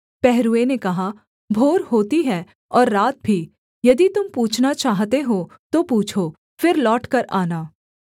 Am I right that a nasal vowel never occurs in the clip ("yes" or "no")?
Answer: yes